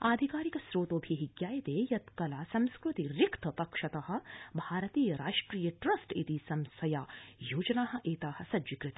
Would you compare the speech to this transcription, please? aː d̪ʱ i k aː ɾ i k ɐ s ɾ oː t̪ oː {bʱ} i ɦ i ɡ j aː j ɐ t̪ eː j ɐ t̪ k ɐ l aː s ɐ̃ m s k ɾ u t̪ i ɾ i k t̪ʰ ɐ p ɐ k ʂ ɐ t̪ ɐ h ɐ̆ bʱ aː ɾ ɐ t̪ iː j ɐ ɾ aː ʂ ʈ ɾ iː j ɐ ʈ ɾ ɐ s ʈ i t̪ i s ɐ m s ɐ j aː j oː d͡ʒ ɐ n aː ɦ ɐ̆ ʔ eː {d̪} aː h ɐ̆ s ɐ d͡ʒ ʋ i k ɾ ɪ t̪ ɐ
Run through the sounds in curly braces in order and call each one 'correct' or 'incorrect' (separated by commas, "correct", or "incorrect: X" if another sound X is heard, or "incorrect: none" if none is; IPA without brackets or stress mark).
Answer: correct, incorrect: t̪